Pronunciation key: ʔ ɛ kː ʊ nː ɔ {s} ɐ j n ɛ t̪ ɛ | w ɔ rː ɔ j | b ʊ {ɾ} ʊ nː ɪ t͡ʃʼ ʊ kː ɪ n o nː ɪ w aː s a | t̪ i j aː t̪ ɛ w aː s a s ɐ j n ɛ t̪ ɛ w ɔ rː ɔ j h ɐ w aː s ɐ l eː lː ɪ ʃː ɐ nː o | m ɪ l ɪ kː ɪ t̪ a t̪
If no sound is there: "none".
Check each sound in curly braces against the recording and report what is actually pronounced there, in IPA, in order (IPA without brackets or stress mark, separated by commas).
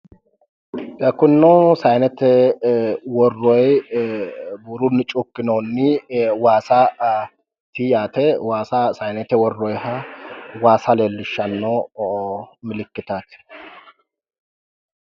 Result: s, ɾ